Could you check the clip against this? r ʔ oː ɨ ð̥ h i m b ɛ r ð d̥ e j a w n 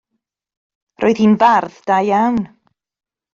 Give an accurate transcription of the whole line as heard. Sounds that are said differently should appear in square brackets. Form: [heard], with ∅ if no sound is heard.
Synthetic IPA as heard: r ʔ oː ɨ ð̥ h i [n] b [a] r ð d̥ [a] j a w n